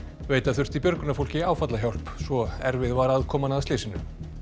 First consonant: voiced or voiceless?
voiced